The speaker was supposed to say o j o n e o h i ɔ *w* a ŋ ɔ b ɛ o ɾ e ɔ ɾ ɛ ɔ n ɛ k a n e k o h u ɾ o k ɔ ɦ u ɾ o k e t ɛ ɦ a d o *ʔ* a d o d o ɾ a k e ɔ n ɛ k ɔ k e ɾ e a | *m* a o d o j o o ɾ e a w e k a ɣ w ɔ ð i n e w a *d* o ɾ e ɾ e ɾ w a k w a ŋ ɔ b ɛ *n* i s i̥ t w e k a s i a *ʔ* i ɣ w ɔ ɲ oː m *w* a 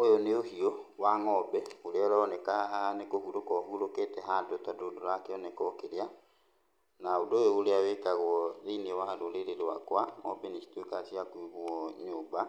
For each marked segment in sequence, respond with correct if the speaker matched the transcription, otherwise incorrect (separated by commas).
correct, incorrect, incorrect, correct, correct, incorrect, incorrect